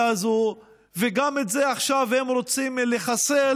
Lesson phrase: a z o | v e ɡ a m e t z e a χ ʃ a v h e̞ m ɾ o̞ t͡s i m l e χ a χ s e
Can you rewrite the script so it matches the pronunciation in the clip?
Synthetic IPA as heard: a z o | v e ɡ a m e t z e a χ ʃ a v h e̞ m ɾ o̞ t͡s i m l e χ a s e